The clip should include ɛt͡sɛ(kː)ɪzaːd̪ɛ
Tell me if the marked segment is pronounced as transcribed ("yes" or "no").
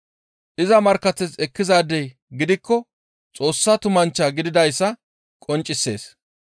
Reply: yes